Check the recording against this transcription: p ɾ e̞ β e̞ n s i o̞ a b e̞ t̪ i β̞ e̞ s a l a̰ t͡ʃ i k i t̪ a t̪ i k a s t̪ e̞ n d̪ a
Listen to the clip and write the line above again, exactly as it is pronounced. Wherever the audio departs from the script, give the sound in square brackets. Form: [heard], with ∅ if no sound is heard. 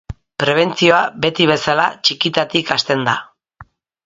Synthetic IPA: p ɾ e̞ β e̞ n [t͡s] i o̞ a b e̞ t̪ i β̞ e̞ s a l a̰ t͡ʃ i k i t̪ a t̪ i k a s t̪ e̞ n d̪ a